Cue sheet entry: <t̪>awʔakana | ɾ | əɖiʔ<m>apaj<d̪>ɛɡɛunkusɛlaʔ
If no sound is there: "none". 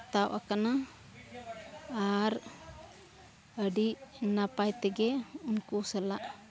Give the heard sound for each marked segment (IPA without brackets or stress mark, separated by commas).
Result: t̪, n, t̪